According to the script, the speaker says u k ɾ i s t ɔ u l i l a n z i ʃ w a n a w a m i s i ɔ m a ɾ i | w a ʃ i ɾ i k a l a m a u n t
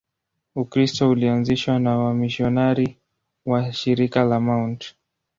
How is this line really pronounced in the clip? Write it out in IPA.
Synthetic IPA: u k ɾ i s t ɔ u l i a n z i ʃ w a n a w a m i ʃ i ɔ n a ɾ i | w a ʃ i ɾ i k a l a m a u n t